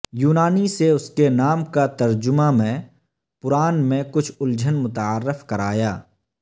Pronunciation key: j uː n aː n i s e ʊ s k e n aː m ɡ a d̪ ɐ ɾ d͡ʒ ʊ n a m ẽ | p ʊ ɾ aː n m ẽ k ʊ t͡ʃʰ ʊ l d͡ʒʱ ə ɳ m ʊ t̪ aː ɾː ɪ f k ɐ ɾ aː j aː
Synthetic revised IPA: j uː n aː n i s e ʊ s k e n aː m k a t̪ ɐ ɾ d͡ʒ ʊ m a m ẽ | p ʊ ɾ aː n m ẽ k ʊ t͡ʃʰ ʊ l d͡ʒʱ ə n m ʊ t̪ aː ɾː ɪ f k ɐ ɾ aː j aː